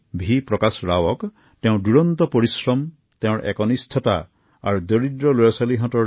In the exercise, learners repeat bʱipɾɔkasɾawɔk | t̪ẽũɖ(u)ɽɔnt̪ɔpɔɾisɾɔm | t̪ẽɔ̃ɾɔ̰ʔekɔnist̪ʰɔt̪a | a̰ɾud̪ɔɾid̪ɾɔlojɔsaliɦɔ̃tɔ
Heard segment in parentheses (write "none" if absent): u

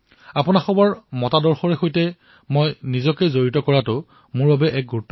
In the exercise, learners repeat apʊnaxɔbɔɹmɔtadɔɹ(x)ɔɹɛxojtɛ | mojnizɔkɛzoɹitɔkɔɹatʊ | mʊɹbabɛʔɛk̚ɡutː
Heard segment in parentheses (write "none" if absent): x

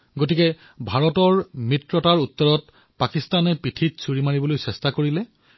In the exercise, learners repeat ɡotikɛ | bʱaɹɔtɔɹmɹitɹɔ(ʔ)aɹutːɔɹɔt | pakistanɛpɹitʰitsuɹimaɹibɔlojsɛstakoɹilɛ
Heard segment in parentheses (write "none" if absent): t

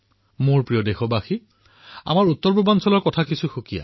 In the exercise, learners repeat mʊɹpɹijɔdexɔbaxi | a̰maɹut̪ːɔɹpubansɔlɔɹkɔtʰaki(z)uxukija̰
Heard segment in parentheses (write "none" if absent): s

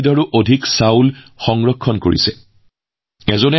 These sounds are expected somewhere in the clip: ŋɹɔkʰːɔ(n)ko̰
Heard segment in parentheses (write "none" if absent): n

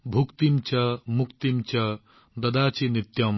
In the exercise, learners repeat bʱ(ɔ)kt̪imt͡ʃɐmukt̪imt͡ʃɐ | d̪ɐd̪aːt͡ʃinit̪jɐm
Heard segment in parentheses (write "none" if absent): u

